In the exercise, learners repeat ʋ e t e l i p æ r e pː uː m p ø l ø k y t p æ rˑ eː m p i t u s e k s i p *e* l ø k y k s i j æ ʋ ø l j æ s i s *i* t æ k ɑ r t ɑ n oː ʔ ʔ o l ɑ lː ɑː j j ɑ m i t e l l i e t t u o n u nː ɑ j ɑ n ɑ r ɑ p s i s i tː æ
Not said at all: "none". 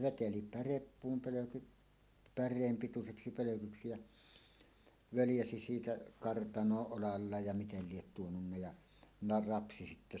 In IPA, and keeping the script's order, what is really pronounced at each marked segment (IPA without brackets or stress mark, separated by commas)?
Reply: ø, iː